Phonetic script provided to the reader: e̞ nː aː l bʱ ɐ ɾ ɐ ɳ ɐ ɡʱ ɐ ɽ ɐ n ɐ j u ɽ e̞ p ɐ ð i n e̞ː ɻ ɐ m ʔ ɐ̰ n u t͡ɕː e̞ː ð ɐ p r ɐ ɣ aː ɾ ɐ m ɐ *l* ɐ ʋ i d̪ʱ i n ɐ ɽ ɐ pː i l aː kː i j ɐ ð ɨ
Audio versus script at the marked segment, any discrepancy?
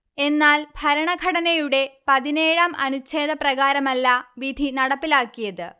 yes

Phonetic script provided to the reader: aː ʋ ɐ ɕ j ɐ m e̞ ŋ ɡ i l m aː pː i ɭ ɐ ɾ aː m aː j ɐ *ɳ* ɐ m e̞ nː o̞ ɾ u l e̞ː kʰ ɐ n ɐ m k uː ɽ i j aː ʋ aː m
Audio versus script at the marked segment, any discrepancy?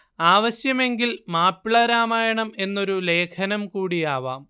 no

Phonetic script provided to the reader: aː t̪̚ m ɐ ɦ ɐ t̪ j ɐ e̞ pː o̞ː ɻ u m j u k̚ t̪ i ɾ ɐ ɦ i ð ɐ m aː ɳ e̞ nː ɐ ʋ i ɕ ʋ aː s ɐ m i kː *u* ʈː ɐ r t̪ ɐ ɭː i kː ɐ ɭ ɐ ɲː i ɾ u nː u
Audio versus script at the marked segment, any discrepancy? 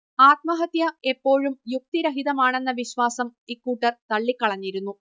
yes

